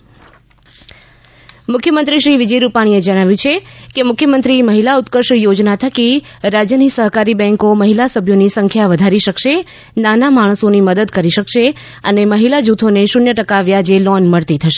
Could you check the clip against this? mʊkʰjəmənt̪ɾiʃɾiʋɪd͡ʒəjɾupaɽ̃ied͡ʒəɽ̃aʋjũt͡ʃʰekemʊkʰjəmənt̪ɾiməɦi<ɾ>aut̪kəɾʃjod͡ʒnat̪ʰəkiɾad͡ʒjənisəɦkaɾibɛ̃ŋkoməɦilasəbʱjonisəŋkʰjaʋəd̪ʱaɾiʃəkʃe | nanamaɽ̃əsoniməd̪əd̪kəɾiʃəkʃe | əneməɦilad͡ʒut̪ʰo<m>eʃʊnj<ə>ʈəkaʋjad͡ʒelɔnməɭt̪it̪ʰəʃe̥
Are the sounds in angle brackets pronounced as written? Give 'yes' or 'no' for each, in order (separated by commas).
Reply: no, no, yes